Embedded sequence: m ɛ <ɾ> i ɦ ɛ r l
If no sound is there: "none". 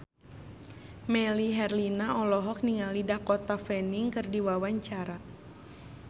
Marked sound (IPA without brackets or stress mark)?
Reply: l